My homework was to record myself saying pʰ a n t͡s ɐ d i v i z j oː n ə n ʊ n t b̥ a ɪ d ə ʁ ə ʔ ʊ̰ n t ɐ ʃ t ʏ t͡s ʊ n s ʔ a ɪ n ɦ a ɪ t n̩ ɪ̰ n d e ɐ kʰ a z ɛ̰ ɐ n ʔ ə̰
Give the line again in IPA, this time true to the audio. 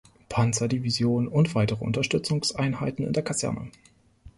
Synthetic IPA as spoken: pʰ a n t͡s ɐ d i v i z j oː n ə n ʊ n t v̥ a ɪ t ə ʁ ə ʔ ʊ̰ n t ɐ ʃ t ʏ t͡s ʊ ŋ s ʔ a ɪ n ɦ a ɪ t n̩ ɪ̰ n d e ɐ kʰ a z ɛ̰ ɐ n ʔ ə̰

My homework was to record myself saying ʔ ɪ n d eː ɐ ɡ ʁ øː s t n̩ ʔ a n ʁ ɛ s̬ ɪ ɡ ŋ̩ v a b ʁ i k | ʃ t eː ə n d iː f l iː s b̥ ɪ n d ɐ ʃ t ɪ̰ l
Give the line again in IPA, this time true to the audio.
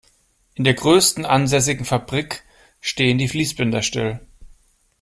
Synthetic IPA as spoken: ʔ ɪ n d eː ɐ ɡ ʁ øː s t n̩ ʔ a n z ɛ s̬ ɪ ɡ ŋ̩ f a b ʁ i k | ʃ t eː ə n d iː f l iː s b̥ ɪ n d ɐ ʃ t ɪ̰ l

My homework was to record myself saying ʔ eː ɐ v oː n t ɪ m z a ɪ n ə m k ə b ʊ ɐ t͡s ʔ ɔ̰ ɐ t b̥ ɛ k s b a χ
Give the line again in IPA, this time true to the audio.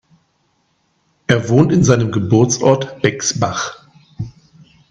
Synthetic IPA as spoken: ʔ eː ɐ v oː n t ɪ n z a ɪ n ə m ɡ ə b ʊ ɐ t͡s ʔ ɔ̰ ɐ t b̥ ɛ k s b a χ

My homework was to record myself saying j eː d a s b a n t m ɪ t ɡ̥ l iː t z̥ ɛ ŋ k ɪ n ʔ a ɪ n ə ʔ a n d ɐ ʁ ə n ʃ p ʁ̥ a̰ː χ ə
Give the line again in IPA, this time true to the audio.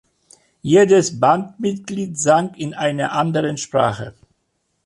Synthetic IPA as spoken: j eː d ə s b a n t m ɪ t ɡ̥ l iː t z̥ a ŋ k ɪ n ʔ a ɪ n ɐ ʔ a n d ə ʁ ə n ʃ p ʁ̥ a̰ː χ ə

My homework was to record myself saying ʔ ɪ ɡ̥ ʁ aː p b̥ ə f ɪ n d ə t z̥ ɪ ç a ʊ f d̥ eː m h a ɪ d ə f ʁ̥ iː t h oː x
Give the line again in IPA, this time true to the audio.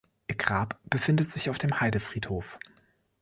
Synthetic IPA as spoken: ʔ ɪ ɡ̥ ʁ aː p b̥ ə f ɪ n d ə t z̥ ɪ ç a ʊ f d̥ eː m h a ɪ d ə f ʁ̥ iː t h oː f

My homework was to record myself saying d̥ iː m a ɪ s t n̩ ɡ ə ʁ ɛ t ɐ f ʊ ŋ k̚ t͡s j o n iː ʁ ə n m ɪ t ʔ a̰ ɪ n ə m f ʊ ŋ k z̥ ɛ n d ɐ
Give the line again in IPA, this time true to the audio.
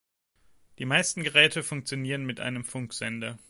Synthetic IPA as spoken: d̥ iː m a ɪ s t n̩ ɡ ə ʁ ɛː t ə f ʊ ŋ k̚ t͡s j o n iː ʁ ə n m ɪ t ʔ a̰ ɪ n ə m f ʊ ŋ k z̥ ɛ n d ɐ

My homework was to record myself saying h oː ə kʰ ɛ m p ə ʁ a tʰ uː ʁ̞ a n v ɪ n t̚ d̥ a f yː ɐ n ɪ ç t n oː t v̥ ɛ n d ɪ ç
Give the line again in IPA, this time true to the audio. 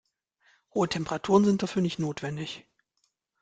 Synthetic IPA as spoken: h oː ə tʰ ɛ m p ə ʁ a tʰ uː ʁ̞ ə n z ɪ n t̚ d̥ a f yː ɐ n ɪ ç t n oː t v̥ ɛ n d ɪ ç

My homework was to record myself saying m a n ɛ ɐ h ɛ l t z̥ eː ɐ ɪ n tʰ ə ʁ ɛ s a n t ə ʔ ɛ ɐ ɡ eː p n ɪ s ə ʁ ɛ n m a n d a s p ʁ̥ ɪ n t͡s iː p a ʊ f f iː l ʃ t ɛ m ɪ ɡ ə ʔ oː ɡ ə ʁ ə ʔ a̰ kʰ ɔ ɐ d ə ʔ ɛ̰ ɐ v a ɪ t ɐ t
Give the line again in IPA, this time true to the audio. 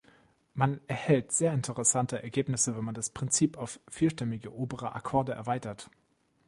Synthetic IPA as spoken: m a n ɛ ɐ h ɛ l t z̥ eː ɐ ɪ n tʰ ə ʁ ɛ s a n t ə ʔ ɛ ɐ ɡ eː p n ɪ s ə v ɛ n m a n d a s p ʁ̥ ɪ n t͡s iː p a ʊ f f iː l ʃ t ɛ m ɪ ɡ ə ʔ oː b ə ʁ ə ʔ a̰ kʰ ɔ ɐ d ə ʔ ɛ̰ ɐ v a ɪ t ɐ t

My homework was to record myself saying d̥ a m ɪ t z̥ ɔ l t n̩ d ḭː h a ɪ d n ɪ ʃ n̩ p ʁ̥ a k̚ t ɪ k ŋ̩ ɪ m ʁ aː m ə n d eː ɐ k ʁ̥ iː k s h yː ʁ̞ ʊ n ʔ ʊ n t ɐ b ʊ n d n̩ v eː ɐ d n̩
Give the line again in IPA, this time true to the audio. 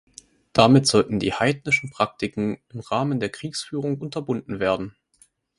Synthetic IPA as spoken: d̥ a m ɪ t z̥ ɔ l t n̩ d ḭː h a ɪ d n ɪ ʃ n̩ p ʁ̥ a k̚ t ɪ k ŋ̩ ɪ m ʁ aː m ə n d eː ɐ k ʁ̥ iː k s f yː ʁ̞ ʊ ŋ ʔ ʊ n t ɐ b ʊ n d n̩ v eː ɐ d n̩

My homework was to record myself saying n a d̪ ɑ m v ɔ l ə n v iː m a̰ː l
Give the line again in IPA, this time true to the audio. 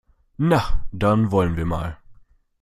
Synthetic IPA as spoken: n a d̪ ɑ n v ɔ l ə n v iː m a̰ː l

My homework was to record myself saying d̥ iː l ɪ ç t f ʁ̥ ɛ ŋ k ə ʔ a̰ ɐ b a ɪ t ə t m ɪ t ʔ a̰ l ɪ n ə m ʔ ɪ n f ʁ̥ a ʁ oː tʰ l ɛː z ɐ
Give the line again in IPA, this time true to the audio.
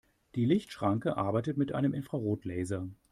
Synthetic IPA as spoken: d̥ iː l ɪ ç t ʃ ʁ̥ a ŋ k ə ʔ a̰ ɐ b a ɪ t ə t m ɪ t ʔ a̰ ɪ n ə m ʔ ɪ n f ʁ̥ a ʁ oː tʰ l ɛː z ɐ

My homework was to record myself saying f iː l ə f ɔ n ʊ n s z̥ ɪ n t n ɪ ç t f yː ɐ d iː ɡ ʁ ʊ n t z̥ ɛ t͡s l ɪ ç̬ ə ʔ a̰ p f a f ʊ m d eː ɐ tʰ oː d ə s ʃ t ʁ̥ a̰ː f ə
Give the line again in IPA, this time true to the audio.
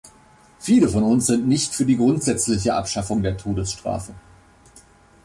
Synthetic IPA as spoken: f iː l ə f ɔ n ʊ n s z̥ ɪ n t n ɪ ç t f yː ɐ d iː ɡ ʁ ʊ n t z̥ ɛ t͡s l ɪ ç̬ ə ʔ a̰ p ʃ a f ʊ ŋ d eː ɐ tʰ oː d ə s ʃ t ʁ̥ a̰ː f ə

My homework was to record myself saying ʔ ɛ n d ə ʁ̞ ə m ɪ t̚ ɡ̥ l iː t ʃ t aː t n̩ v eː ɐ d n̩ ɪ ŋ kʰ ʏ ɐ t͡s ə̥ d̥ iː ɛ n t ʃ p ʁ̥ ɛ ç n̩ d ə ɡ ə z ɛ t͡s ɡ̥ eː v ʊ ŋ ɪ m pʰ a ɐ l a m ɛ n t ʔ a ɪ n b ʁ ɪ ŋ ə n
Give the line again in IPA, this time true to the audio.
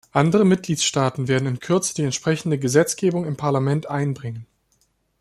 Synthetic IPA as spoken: ʔ a n d ə ʁ̞ ə m ɪ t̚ ɡ̥ l iː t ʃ t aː t n̩ v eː ɐ d n̩ ɪ n kʰ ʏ ɐ t͡s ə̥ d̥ iː ɛ n t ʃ p ʁ̥ ɛ ç n̩ d ə ɡ ə z ɛ t͡s ɡ̥ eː b ʊ ŋ ɪ m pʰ a ɐ l a m ɛ n t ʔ a ɪ n b ʁ ɪ ŋ ə n

